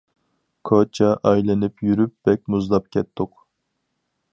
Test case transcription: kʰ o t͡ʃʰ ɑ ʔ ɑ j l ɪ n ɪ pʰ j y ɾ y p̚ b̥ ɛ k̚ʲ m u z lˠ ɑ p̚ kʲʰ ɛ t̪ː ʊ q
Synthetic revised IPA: kʰ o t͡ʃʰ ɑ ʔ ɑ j l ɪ n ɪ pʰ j y ɾ y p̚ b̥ ɛ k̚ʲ m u z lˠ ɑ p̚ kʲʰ ɛ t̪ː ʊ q